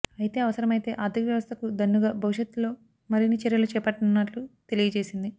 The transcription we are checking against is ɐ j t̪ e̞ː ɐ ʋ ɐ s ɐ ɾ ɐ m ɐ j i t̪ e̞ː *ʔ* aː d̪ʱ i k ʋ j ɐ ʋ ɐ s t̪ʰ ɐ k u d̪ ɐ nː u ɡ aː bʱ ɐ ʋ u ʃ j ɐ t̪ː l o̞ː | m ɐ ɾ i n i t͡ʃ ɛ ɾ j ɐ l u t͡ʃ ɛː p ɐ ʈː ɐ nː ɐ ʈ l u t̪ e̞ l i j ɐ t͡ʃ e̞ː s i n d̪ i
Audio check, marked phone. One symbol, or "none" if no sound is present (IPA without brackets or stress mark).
ʔ